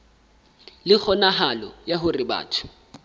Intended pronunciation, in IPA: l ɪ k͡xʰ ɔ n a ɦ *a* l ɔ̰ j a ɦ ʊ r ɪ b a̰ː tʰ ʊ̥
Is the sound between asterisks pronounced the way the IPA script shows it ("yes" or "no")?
yes